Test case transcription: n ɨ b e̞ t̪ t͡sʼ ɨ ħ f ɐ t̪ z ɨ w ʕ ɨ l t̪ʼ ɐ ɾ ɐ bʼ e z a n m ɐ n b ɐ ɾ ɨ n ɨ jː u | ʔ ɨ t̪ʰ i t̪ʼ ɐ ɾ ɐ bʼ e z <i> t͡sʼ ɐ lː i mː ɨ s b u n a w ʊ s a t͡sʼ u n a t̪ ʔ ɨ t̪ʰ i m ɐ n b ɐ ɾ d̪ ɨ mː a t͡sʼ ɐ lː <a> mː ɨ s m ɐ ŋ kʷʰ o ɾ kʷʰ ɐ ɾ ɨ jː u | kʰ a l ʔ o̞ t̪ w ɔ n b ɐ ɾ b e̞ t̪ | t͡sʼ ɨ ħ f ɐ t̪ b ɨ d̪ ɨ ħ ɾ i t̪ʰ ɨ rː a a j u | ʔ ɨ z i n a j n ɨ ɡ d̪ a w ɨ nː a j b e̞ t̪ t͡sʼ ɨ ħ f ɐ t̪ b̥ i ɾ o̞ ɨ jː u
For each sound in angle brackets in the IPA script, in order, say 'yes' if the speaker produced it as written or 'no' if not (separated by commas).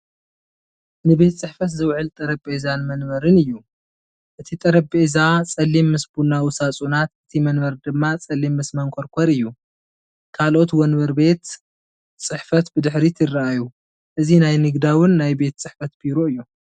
no, no